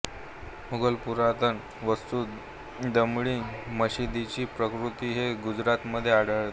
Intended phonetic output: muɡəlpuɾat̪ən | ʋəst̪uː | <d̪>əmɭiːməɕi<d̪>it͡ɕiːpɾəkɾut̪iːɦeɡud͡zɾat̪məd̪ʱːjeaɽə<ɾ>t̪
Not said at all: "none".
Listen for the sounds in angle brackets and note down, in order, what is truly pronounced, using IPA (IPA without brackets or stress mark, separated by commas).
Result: d̪, d̪, ɭ